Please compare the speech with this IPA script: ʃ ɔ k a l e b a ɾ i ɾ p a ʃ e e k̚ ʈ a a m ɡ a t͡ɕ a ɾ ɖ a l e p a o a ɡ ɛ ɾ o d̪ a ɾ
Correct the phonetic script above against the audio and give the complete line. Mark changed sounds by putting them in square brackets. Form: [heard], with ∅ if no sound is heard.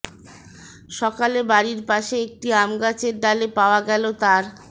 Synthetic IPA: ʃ ɔ k a l e b a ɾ i ɾ p a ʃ e e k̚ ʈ [i] a m ɡ a t͡ɕ [e] ɾ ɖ a l e p a o a ɡ ɛ [l] o [t̪] a ɾ